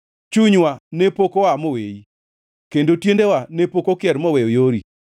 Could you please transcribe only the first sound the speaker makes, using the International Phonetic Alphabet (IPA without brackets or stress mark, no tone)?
t͡ʃ